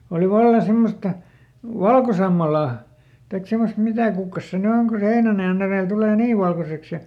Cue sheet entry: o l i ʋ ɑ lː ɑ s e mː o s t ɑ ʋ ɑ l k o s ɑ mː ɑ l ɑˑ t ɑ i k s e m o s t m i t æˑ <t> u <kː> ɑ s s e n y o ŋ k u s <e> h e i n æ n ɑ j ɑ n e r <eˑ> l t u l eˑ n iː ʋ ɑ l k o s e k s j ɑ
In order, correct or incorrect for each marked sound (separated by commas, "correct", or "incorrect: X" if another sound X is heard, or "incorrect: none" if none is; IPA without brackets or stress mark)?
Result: incorrect: k, correct, correct, correct